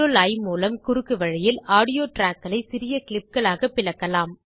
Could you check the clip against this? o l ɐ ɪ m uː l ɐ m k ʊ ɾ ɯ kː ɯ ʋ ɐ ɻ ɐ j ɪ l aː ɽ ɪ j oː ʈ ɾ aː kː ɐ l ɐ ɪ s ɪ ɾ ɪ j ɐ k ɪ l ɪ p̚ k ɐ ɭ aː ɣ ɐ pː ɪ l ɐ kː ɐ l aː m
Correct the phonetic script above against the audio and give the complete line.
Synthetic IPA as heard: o l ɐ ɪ m uː l ɐ m k ʊ ɾ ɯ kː ɯ ʋ ɐ ɻ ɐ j ɪ l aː ɽ ɪ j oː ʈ ɾ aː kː ɐ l ɐ ɪ s ɪ ɾ ɪ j ɐ k ɪ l ɪ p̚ k ɐ ɭ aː ɣ ɐ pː ɪ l ɐ kː ɐ l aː m